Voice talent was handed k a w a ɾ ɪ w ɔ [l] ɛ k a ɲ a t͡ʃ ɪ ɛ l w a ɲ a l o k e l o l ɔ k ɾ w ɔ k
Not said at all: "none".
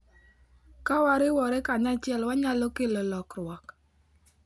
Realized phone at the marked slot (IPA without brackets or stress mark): ɾ